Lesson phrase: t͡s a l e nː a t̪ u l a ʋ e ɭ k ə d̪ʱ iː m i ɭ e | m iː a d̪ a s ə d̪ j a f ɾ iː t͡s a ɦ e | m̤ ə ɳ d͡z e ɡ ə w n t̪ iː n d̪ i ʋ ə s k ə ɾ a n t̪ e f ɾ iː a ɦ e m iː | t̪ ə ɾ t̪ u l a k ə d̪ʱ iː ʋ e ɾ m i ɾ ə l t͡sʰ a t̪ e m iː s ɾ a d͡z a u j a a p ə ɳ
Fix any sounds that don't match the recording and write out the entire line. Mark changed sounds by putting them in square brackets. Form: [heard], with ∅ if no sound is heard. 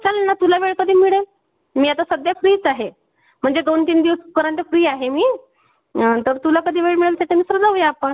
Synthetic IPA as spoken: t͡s a l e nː a t̪ u l a ʋ e ɭ k ə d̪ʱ iː m i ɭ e | m iː a [t̪] a s ə d̪ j a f ɾ iː t͡s a ɦ e | m̤ ə ɳ d͡z e ɡ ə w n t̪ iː n d̪ i ʋ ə s k ə ɾ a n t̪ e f ɾ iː a ɦ e m iː | t̪ ə ɾ t̪ u l a k ə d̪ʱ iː ʋ e [ɭ] m i [ɭ] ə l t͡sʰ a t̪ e m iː s ɾ [ə] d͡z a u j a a p ə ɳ